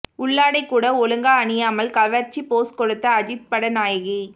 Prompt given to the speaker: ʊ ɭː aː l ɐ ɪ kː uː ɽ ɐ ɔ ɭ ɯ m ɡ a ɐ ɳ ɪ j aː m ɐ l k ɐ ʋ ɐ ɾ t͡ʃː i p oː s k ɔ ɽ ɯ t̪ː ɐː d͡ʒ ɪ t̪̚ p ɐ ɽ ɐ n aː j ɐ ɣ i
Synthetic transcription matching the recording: ʊ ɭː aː ɽ ɐ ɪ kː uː ɽ ɐ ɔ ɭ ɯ ŋ ɡ a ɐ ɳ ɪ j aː m ɐ l k ɐ ʋ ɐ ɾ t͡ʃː i p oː s k ɔ ɽ ɯ t̪ː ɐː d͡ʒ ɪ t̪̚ p ɐ ɽ ɐ n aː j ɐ ɣ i